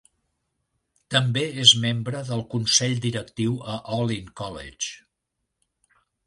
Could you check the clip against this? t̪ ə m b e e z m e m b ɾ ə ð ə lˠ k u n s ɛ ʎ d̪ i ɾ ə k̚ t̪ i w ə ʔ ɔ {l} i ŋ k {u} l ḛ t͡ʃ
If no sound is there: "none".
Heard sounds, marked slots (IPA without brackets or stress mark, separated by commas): l, ɔ